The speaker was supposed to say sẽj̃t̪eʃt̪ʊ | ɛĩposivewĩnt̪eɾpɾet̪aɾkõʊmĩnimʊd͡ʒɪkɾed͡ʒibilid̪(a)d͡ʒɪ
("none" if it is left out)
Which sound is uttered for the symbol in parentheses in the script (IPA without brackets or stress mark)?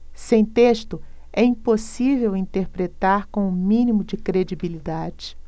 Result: a